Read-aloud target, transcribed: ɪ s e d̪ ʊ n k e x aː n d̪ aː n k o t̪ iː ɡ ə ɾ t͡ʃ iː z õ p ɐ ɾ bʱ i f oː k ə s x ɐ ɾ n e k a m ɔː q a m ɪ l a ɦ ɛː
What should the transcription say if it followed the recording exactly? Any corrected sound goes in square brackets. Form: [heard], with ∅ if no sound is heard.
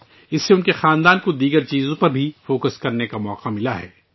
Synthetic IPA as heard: ɪ [sː] e [∅] ʊ n k e x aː n d̪ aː n k o [d̪] iː ɡ ə ɾ t͡ʃ iː z õ p ɐ ɾ bʱ i f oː k ə s [k] ɐ ɾ n e k a m ɔː q a m ɪ l a ɦ ɛː